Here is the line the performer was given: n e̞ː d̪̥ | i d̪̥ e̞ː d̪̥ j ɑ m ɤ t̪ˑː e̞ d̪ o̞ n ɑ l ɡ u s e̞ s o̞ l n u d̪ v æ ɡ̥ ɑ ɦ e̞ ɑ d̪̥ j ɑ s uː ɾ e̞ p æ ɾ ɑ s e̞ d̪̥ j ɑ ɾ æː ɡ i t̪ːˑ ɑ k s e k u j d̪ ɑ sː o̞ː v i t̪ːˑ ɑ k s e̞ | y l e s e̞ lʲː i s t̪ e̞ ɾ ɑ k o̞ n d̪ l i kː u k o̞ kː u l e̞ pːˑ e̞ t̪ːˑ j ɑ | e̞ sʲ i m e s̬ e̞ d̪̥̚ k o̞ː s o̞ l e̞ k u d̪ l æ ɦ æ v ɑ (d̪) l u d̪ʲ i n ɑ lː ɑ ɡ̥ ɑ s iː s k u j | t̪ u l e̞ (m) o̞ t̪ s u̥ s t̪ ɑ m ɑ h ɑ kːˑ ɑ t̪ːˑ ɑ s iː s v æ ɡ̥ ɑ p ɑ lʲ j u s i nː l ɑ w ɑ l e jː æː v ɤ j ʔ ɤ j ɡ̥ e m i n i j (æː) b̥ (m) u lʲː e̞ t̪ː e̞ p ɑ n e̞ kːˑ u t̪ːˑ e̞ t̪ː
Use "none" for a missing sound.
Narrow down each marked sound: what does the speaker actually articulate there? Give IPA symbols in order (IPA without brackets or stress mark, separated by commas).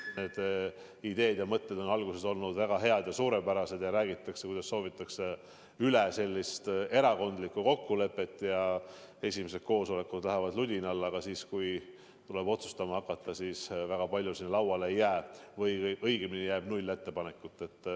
d̪, b, æː, n